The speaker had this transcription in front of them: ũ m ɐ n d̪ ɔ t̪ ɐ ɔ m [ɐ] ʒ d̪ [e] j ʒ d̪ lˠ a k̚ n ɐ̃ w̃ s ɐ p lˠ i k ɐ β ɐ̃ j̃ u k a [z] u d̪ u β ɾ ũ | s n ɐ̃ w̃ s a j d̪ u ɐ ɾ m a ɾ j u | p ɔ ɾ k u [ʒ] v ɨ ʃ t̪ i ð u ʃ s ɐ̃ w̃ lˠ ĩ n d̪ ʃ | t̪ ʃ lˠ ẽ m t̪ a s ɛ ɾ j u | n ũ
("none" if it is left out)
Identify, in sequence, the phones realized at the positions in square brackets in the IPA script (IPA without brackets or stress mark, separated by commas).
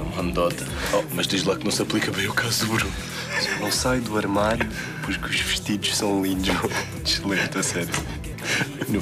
ɐ, e, z, ʒ